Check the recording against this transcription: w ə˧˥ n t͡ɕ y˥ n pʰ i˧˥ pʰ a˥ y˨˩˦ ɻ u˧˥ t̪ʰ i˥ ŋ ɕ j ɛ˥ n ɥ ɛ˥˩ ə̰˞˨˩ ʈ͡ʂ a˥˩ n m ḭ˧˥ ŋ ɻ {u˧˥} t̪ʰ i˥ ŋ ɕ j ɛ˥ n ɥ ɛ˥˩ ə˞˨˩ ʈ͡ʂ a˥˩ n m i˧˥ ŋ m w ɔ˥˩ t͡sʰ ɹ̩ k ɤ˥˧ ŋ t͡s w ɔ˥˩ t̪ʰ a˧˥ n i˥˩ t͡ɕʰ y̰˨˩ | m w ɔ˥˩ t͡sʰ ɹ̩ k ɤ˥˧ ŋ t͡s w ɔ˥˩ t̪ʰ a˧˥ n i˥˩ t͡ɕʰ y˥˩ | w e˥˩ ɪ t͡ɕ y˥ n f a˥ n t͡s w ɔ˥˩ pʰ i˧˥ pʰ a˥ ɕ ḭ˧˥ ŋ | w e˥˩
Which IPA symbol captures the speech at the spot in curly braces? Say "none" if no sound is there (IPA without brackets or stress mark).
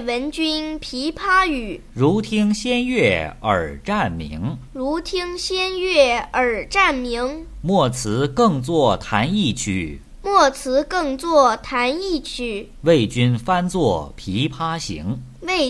u˧˥